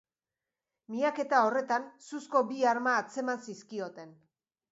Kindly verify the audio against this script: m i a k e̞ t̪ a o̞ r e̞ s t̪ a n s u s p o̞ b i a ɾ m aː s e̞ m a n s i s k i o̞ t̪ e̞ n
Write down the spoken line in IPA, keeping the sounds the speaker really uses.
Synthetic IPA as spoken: m i a k e̞ t̪ a o̞ r e̞ t̪ a n s u s k o̞ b i a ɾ m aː t͡s e̞ m a n s i s k i o̞ t̪ e̞ n